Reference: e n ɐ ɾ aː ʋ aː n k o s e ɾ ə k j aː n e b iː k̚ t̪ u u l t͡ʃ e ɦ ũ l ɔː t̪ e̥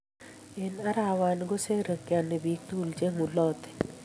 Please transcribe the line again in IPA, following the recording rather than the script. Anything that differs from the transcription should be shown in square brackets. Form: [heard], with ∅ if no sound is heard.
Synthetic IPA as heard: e n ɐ ɾ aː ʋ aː n [ɡ] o s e ɾ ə k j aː n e b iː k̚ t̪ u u l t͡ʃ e ɦ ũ l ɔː t̪ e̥